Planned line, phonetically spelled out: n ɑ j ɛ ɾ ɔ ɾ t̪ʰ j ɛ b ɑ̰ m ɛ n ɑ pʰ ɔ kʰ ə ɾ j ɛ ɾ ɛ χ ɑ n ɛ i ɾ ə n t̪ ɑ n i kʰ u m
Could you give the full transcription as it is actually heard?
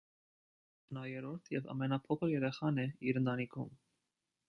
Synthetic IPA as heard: n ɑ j ɛ ɾ ɔ ɾ t̪ʰ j ɛ v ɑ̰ m ɛ n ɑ pʰ ɔ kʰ ə ɾ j ɛ ɾ ɛ χ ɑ n ɛ i ɾ ə n t̪ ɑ n i kʰ u m